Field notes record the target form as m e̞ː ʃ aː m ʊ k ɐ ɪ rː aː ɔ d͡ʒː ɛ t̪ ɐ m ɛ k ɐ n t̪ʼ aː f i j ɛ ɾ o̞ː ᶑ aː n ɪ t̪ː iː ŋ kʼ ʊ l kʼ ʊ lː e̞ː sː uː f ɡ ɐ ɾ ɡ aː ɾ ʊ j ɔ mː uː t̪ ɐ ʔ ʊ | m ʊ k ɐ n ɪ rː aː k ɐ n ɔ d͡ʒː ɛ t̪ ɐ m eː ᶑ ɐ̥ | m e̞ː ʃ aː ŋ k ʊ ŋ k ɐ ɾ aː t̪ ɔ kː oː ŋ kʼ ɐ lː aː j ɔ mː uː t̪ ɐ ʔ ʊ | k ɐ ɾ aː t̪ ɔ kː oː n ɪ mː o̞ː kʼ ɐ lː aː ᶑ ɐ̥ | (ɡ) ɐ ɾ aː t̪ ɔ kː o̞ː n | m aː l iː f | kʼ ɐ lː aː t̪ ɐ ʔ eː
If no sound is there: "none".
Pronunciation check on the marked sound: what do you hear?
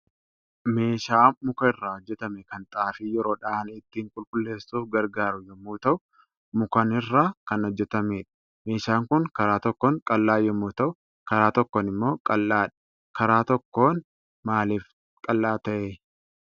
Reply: k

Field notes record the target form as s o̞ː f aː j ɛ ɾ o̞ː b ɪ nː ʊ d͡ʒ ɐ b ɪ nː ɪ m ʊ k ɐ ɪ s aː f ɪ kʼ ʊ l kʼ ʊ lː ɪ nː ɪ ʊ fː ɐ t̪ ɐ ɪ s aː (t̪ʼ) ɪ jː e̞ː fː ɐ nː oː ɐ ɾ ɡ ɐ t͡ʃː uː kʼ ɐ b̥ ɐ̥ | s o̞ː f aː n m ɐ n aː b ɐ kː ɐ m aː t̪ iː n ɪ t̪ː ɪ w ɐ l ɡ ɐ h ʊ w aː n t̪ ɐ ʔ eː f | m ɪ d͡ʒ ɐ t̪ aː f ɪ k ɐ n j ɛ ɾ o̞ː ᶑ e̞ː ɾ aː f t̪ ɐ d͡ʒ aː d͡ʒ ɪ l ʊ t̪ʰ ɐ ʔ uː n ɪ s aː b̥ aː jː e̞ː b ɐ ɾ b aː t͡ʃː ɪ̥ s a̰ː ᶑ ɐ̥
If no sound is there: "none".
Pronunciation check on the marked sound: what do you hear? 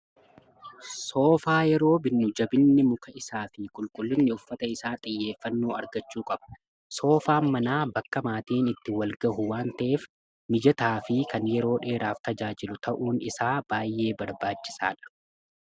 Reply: t̪ʼ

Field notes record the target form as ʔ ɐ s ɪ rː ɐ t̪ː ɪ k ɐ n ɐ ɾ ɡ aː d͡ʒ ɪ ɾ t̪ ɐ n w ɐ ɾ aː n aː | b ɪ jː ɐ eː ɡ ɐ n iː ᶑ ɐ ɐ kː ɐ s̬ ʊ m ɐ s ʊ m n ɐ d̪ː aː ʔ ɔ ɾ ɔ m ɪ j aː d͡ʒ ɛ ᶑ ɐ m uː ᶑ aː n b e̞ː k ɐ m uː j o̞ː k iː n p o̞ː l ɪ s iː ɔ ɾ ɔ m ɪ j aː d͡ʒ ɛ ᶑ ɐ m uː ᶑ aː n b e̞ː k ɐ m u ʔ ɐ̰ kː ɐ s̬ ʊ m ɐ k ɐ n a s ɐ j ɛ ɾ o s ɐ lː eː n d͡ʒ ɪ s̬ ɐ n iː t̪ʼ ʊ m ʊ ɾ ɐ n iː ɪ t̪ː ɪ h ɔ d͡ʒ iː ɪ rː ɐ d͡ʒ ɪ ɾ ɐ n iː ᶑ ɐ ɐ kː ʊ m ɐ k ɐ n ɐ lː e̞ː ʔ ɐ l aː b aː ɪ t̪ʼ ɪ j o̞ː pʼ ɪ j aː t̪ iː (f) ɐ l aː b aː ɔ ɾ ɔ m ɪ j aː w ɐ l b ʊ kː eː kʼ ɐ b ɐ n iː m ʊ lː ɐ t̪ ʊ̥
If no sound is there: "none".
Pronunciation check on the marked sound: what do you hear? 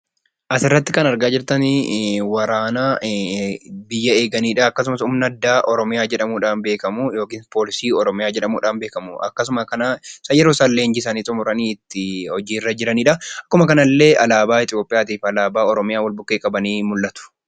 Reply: f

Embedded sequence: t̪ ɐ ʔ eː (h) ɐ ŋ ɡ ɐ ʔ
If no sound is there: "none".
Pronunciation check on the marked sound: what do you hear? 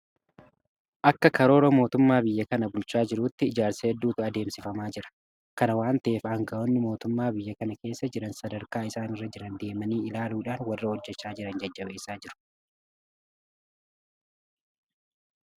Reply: f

